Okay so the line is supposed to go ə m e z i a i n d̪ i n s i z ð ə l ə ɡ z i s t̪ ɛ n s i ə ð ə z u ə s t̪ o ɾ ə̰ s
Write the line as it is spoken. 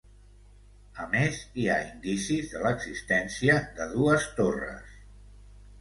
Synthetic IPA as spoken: ə m e z i a i n d̪ i s i z ð ə l ə ɡ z i s t̪ ɛ n s i ə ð ə ð u ə s t̪ o r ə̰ s